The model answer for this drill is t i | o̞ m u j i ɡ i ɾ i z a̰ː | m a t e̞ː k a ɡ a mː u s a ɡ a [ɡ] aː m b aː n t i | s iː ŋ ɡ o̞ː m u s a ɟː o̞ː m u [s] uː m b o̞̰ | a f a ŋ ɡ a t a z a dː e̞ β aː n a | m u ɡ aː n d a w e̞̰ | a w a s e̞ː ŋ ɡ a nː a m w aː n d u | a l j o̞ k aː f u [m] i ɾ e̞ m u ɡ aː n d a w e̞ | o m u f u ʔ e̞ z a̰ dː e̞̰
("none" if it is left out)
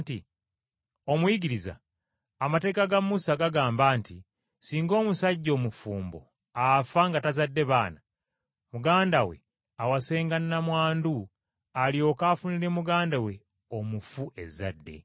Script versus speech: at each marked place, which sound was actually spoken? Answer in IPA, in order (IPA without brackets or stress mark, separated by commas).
ɡ, f, n